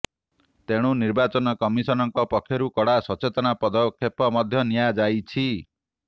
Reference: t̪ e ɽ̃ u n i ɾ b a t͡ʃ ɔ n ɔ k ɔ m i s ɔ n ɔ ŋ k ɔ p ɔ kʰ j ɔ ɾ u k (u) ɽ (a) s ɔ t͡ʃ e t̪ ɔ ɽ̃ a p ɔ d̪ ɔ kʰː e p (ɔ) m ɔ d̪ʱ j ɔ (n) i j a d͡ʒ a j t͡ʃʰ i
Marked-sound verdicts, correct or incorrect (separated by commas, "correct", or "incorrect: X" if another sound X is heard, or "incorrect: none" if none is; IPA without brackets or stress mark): incorrect: ɔ, correct, correct, correct